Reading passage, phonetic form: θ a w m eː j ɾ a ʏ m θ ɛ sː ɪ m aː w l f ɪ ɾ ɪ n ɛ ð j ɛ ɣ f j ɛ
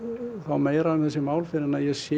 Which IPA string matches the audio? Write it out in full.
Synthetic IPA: θ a w m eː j ɾ a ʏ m θ ɛ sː ɪ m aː w l f ɪ ɾ ɪ n a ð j ɛ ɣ s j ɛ